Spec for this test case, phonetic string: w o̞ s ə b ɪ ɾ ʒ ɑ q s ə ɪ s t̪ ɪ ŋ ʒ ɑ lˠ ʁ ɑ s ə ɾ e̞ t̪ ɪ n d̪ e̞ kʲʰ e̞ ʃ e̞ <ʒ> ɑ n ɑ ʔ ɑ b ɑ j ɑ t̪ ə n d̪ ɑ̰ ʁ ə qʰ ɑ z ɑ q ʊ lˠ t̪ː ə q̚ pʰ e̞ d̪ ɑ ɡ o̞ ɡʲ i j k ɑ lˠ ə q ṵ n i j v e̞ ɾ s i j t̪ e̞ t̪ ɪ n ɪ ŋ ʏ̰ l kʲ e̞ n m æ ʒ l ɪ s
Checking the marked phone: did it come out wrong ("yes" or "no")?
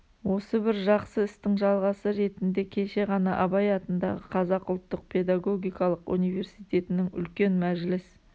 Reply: yes